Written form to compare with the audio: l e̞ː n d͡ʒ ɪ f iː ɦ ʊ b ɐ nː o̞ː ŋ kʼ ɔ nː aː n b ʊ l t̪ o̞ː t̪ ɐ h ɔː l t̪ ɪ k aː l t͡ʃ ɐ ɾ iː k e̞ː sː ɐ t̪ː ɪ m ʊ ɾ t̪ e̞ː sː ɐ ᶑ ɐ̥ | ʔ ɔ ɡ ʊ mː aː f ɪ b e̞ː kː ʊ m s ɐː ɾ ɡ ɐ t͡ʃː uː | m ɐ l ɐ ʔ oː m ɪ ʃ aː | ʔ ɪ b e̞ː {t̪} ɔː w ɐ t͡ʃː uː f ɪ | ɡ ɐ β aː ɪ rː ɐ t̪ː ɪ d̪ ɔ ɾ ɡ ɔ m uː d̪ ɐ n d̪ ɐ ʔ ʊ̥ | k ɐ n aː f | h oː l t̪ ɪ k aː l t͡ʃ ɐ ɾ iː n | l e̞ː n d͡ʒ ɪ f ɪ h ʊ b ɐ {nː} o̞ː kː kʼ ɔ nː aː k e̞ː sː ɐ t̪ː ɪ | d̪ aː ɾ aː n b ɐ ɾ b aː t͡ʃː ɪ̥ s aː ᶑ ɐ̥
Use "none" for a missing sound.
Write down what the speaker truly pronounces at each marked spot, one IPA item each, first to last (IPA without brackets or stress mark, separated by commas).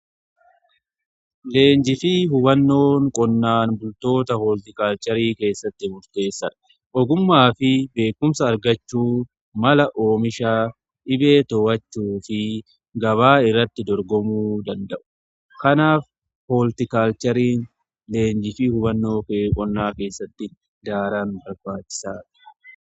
t̪, nː